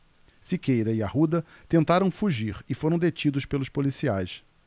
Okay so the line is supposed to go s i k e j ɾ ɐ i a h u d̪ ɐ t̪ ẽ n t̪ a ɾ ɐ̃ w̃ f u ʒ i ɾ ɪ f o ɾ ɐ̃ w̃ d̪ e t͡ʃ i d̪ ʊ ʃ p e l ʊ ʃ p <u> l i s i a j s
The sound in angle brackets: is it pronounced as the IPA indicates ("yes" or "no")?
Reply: no